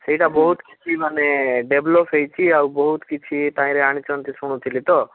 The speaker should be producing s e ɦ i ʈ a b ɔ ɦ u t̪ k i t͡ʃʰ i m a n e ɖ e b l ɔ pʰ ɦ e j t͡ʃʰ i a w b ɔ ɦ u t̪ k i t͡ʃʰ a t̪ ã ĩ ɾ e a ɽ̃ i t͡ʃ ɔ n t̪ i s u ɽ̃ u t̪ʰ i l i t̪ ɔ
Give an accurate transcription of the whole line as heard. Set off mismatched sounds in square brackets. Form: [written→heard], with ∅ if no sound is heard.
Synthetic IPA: s e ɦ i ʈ a b ɔ ɦ u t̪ k i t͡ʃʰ i m a n e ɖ e b l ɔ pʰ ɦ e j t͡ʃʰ i a w b ɔ ɦ u t̪ k i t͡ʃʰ [a→i] t̪ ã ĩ ɾ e a ɽ̃ i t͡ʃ ɔ n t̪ i s u ɽ̃ u t̪ʰ i l i t̪ ɔ